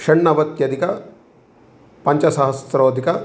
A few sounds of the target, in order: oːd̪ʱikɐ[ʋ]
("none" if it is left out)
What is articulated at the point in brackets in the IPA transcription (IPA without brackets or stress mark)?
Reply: none